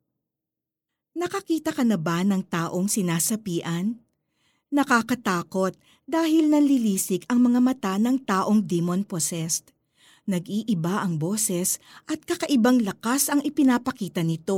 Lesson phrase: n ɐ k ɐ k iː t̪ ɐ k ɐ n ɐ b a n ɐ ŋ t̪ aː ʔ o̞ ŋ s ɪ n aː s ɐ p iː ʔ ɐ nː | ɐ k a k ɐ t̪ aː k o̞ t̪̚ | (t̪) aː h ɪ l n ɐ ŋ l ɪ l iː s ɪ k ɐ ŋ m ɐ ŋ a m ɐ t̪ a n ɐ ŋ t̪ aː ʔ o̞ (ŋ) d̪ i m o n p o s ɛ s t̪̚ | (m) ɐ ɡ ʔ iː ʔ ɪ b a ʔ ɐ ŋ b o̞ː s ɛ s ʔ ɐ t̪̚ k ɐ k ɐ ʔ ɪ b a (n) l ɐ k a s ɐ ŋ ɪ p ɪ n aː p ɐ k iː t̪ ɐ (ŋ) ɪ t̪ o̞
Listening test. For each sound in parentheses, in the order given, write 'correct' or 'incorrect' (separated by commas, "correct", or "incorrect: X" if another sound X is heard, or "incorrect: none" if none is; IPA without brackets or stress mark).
incorrect: d̪, correct, incorrect: n, incorrect: ŋ, incorrect: n